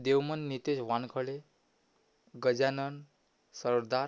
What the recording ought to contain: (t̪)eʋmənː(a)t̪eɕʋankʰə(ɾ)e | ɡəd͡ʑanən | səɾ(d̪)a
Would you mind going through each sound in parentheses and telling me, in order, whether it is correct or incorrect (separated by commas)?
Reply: incorrect, incorrect, incorrect, correct